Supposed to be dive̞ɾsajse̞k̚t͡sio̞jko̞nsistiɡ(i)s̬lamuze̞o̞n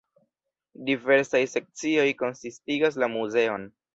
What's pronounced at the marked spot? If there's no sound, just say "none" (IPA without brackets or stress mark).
a